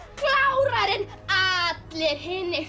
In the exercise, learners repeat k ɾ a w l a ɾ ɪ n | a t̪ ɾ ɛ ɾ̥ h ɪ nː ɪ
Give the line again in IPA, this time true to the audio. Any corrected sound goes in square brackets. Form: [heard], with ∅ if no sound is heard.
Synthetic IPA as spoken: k [l] a w [ɾ] a ɾ ɪ n | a t̪ [l] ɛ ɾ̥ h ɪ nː ɪ

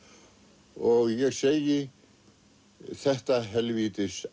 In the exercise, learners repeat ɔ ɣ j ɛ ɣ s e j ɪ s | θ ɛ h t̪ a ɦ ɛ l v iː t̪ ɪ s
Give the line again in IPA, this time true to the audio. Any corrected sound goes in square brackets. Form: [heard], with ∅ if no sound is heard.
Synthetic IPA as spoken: ɔ ɣ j ɛ ɣ s e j ɪ [∅] | θ ɛ h t̪ a ɦ ɛ l v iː t̪ ɪ s

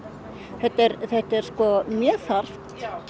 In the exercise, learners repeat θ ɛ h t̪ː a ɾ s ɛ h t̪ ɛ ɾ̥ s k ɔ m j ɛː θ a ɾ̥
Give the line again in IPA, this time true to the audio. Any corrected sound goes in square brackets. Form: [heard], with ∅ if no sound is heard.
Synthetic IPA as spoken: θ ɛ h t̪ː [ɛ] ɾ [θ] ɛ h t̪ ɛ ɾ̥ s k ɔ m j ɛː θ a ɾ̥

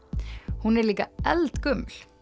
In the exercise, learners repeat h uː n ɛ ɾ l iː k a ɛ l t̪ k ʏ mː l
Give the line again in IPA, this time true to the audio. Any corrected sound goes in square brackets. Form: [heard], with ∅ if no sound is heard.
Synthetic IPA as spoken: h [u] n ɛ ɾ l iː k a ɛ l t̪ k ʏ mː l

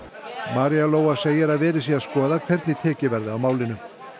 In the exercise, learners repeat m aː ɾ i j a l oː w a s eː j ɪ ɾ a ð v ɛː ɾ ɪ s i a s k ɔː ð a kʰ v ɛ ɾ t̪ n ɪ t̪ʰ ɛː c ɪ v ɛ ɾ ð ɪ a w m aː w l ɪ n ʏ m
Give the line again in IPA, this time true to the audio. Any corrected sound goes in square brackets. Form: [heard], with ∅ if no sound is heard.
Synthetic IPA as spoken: m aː ɾ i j a l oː w a s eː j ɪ ɾ a ð v ɛː ɾ ɪ s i a s k ɔː ð a kʰ v ɛ ɾ t̪ n ɪ t̪ʰ ɛː c ɪ v ɛ ɾ ð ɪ a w m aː w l ɪ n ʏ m

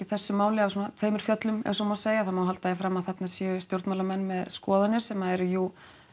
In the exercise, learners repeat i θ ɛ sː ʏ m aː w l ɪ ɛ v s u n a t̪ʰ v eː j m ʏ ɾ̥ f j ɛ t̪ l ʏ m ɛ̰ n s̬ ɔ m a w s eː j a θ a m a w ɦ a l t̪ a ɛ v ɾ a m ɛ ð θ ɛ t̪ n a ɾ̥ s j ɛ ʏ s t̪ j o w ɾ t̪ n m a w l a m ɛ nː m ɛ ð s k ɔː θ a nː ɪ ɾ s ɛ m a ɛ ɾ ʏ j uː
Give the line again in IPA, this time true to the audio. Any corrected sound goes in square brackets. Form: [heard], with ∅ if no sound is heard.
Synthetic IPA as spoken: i θ ɛ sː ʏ m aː w l ɪ [a] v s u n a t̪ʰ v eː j m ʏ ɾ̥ f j [œ] t̪ l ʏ m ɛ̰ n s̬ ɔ m a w s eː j a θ a m a w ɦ a l t̪ a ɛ [f] ɾ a m [a] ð θ ɛ t̪ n a [∅] s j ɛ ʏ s t̪ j o w ɾ t̪ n m a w l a m ɛ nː m ɛ ð s k ɔː [ð] a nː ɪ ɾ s ɛ m a ɛ ɾ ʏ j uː

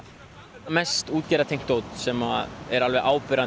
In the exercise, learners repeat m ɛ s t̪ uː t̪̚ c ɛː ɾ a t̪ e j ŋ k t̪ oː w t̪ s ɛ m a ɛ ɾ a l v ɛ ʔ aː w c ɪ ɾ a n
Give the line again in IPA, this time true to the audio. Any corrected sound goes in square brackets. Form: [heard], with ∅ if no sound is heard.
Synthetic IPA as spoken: m ɛ s t̪ uː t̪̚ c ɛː ɾ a [t̪ʰ] e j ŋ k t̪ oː w t̪ s ɛ m a ɛ ɾ a l v ɛ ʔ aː w [p] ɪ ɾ a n

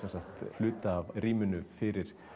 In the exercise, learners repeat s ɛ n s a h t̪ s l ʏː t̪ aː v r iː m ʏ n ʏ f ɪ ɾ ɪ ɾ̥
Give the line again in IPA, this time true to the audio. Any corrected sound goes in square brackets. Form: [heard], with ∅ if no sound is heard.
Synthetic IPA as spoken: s ɛ n s a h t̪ [f] l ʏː t̪ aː v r iː m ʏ n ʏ f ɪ ɾ ɪ ɾ̥

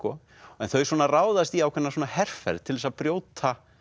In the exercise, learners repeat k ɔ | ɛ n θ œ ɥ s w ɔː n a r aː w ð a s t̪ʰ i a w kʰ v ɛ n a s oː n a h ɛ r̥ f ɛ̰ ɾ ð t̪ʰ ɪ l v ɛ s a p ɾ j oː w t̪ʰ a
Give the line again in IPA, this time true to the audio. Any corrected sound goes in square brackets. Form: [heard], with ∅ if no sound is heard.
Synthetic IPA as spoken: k ɔ | ɛ n θ œ ɥ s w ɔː n a r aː w ð a s [t̪] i a w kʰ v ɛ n a s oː n a h ɛ r̥ f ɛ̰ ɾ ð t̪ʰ ɪ l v ɛ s a p ɾ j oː w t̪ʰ a

